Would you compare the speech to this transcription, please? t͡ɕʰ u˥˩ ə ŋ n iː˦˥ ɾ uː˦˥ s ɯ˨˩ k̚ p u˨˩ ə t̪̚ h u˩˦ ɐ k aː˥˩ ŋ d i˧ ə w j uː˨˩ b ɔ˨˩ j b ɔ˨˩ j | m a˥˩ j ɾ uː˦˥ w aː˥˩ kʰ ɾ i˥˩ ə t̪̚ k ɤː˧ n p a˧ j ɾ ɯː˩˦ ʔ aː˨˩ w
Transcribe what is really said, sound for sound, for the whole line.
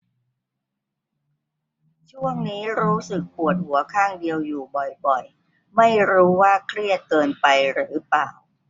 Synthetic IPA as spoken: t͡ɕʰ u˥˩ ə ŋ n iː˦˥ ɾ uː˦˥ s ɯ˨˩ k̚ p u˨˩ ə t̪̚ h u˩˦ ɐ kʰ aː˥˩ ŋ d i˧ ə w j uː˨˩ b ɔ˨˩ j b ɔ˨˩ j | m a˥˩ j ɾ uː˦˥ w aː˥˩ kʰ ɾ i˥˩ ə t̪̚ k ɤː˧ n p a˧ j ɾ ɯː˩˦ p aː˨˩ w

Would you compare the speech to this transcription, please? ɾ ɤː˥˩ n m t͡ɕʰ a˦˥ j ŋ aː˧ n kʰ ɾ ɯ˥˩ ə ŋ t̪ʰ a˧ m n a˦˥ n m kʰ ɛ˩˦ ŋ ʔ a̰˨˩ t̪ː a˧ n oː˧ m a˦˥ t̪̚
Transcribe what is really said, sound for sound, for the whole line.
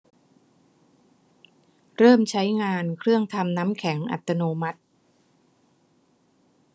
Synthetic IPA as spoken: ɾ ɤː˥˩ m t͡ɕʰ a˦˥ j ŋ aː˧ n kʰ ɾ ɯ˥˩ ə ŋ t̪ʰ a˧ m n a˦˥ m kʰ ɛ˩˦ ŋ ʔ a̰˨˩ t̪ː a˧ n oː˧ m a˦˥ t̪̚

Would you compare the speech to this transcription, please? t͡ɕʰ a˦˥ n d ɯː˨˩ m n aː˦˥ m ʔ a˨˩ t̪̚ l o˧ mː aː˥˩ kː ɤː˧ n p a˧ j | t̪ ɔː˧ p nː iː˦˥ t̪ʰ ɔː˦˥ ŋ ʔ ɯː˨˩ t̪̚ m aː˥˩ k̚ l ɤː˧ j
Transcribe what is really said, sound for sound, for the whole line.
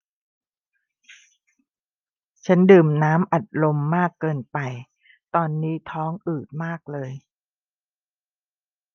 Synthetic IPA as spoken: t͡ɕʰ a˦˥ n d ɯː˨˩ m n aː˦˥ m ʔ a˨˩ t̪̚ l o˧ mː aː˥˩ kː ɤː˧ n p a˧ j | t̪ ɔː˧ nː iː˦˥ t̪ʰ ɔː˦˥ ŋ ʔ ɯː˨˩ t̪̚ m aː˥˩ k̚ l ɤː˧ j

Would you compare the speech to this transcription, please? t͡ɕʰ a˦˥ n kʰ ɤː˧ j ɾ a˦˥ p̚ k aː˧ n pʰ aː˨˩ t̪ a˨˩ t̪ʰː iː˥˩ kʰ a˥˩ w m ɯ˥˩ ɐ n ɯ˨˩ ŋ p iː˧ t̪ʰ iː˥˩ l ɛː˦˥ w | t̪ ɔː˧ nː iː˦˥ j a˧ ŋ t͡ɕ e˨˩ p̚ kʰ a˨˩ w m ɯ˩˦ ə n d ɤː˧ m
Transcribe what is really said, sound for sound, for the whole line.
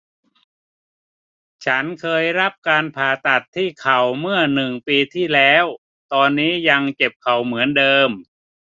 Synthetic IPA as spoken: t͡ɕʰ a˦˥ n kʰ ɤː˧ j ɾ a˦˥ p̚ k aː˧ n pʰ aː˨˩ t̪ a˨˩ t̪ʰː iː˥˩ kʰ a˨˩ w m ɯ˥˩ ɐ n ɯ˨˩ ŋ p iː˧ t̪ʰ iː˥˩ l ɛː˦˥ w | t̪ ɔː˧ nː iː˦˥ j a˧ ŋ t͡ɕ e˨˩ p̚ kʰ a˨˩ w m ɯ˩˦ ə n d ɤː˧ m

